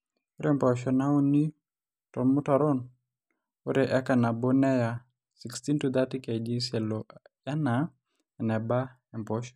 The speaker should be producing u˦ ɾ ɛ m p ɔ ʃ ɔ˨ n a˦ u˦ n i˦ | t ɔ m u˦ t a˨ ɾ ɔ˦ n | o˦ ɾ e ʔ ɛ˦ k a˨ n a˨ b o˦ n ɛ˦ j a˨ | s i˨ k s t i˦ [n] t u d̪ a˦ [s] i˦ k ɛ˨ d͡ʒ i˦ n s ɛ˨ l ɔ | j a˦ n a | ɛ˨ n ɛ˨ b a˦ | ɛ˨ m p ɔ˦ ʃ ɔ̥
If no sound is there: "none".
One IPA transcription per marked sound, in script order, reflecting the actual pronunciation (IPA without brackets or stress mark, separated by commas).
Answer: n, t